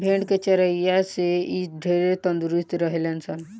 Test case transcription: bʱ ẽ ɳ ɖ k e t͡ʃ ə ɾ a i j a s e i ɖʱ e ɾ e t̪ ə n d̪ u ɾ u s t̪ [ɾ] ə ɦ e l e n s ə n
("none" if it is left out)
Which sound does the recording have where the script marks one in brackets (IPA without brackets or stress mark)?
ɾ